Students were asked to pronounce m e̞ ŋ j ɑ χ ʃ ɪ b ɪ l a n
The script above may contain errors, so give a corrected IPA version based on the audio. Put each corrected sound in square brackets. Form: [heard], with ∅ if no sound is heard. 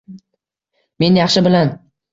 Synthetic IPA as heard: m e̞ [n] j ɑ χ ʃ ɪ b ɪ l a n